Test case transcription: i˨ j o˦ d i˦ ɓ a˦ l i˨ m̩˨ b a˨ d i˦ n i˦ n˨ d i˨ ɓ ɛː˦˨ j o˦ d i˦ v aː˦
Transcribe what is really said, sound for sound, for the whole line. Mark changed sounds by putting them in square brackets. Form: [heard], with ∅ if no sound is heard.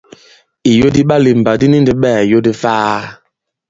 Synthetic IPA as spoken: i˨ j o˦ d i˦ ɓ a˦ l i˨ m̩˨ b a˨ d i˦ n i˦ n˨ d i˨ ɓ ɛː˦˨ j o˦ d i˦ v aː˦